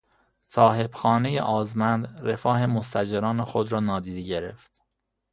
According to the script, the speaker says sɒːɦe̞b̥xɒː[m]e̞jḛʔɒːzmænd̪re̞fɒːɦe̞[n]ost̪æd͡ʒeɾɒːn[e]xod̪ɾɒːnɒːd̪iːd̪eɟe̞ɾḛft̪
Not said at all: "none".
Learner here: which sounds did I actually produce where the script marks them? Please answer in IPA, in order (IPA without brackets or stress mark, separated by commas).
n, m, e